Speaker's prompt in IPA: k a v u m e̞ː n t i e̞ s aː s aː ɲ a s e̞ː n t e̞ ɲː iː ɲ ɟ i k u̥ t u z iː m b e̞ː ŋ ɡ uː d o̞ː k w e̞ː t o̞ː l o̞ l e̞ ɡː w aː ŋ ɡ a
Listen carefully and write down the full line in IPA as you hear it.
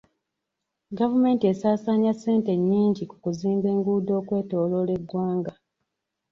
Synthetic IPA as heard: ɡ a v u m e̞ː n t i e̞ s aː s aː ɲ a s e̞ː n t e̞ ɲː iː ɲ ɟ i k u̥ k u z iː m b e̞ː ŋ ɡ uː d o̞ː k w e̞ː t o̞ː l o̞ l e̞ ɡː w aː ŋ ɡ a